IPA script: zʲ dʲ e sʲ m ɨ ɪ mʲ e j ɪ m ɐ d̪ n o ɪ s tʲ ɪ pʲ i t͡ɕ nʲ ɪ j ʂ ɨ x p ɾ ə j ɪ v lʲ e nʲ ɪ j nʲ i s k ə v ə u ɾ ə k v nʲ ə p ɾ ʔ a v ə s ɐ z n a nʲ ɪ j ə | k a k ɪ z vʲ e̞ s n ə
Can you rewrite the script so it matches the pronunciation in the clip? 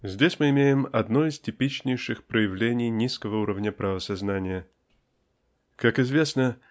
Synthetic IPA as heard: zʲ dʲ e sʲ m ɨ ɪ mʲ e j ɪ m ɐ d̪ n o ɪ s tʲ ɪ pʲ i t͡ɕ nʲ ɪ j ʂ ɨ x p ɾ ə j ɪ v lʲ e nʲ ɪ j nʲ i s k ə v ə u ɾ ə v nʲ ə p ɾ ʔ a v ə s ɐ z n a nʲ ɪ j ə | k a k ɪ z vʲ e̞ s n ə